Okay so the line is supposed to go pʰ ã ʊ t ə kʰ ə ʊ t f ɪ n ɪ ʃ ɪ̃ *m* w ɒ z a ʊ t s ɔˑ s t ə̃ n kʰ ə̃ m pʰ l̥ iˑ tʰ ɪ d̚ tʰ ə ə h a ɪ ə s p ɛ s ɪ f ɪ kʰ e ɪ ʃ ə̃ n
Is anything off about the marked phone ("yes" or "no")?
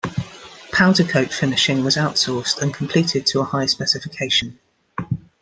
yes